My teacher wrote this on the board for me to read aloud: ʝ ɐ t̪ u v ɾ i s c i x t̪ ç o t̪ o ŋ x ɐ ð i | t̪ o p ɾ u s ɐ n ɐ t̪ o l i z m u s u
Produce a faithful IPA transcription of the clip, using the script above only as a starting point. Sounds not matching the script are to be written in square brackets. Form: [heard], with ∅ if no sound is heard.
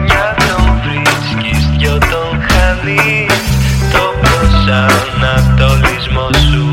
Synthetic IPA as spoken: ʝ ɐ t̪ [o] v ɾ i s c i [s] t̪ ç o t̪ o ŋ x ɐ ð i | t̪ o p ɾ [o] s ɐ n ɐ t̪ o l i z m [o] s u